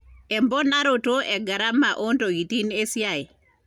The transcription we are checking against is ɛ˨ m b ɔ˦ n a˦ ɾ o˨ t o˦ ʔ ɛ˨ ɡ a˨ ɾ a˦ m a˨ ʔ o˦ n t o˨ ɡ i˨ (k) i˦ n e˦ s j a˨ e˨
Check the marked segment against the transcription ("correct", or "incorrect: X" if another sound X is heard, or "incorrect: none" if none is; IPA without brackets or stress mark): incorrect: t